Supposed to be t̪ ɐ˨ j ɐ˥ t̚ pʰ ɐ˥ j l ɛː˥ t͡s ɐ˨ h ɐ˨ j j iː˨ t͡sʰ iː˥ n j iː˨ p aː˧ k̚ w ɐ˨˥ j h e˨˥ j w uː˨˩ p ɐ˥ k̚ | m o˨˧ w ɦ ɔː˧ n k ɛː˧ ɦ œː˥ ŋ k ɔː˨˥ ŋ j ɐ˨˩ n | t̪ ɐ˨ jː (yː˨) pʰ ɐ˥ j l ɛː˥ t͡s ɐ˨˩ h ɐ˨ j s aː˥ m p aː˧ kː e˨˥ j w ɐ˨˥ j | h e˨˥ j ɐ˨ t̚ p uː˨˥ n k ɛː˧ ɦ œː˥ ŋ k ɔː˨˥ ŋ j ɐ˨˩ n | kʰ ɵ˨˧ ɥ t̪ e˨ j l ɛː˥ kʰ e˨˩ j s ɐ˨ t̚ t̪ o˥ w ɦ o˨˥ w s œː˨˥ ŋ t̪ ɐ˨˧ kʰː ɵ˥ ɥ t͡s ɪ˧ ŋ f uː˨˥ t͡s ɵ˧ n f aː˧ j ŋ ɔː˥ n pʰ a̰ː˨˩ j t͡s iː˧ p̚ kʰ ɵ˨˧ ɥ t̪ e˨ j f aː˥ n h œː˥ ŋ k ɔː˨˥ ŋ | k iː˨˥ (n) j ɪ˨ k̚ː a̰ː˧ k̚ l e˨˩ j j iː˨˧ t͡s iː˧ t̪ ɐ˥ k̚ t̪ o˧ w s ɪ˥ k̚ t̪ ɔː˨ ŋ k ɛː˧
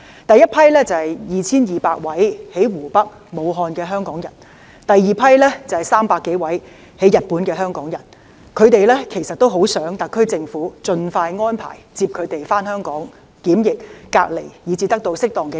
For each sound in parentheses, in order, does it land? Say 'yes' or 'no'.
no, no

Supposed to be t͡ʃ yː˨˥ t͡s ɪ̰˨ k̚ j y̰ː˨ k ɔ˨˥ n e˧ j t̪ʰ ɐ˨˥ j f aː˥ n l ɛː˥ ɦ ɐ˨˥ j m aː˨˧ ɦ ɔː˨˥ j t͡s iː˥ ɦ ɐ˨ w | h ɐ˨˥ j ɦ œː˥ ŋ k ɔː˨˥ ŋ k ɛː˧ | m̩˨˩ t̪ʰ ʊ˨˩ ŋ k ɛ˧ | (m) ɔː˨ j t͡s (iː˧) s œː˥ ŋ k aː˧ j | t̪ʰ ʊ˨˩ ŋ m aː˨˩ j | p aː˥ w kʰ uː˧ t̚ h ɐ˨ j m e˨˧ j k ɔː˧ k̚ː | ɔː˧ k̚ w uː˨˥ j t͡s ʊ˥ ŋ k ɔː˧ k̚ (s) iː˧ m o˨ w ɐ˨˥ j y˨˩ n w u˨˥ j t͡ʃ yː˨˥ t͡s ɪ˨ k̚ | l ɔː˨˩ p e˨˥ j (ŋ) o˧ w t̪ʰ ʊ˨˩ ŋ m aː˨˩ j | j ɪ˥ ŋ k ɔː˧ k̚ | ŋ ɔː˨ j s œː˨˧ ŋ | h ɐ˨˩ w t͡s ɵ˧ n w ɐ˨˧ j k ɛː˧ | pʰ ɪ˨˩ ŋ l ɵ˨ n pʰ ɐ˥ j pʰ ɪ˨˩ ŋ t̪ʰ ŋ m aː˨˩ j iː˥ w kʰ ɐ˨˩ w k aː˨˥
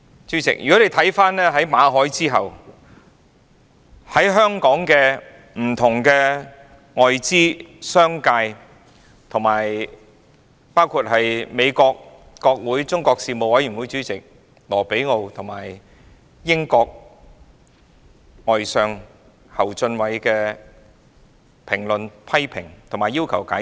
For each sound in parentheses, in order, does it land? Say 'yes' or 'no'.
no, no, yes, yes

